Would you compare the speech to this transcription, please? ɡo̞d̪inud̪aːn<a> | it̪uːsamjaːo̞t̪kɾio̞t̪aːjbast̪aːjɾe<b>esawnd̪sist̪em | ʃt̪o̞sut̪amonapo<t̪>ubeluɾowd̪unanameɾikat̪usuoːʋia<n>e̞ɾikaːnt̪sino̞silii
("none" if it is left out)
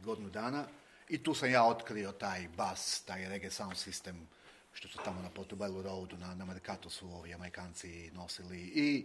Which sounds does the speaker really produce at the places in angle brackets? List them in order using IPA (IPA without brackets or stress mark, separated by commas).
a, ɡ, t̪, m